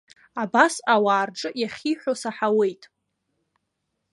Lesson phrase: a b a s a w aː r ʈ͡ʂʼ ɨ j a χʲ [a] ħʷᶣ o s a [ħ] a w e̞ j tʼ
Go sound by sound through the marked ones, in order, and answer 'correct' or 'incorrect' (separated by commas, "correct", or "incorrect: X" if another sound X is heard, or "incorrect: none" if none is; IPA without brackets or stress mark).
incorrect: i, correct